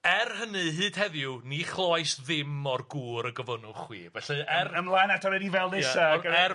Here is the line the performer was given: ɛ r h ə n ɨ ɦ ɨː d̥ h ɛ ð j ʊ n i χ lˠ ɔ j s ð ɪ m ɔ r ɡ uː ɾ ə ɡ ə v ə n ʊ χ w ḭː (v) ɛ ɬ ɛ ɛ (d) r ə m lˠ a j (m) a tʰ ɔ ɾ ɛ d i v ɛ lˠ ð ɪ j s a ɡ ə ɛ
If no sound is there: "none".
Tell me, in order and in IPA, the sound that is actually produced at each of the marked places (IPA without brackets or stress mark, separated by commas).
v, none, n